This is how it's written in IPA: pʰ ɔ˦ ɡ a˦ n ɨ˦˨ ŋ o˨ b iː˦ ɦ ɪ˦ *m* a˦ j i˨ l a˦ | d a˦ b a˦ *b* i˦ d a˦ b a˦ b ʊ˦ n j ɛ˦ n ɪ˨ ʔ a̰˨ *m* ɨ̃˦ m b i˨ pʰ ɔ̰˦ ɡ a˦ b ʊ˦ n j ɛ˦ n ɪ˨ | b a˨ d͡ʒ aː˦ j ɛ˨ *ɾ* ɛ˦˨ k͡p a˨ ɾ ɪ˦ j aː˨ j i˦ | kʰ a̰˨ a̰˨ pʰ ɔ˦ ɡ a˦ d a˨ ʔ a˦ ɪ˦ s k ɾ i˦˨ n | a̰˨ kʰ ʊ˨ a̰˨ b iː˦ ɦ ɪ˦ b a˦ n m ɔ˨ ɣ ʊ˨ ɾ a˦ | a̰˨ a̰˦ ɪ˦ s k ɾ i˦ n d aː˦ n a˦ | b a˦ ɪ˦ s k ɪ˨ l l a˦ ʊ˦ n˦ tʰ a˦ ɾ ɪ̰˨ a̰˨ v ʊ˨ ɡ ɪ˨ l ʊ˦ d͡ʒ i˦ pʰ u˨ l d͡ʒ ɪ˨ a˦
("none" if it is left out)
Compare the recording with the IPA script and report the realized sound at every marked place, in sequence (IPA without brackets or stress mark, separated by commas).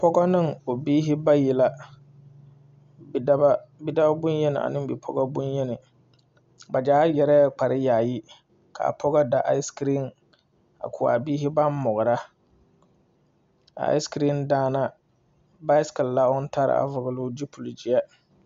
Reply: b, b, n, ɾ